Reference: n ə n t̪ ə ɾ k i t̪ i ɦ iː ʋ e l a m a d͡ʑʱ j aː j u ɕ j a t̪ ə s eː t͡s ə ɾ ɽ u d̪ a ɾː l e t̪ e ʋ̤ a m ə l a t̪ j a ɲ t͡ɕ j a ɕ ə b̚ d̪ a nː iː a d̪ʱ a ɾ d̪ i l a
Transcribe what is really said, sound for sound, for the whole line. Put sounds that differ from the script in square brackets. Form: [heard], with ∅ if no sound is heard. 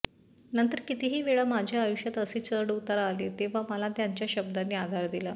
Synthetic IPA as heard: n ə n t̪ ə ɾ k i t̪ i ɦ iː ʋ e [ɭ] a m a d͡ʑʱ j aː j u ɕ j a t̪ ə s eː t͡s ə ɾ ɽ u [t̪] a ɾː l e t̪ e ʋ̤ a m ə l a t̪ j a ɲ t͡ɕ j a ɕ ə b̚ d̪ a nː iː a d̪ʱ a ɾ d̪ i l a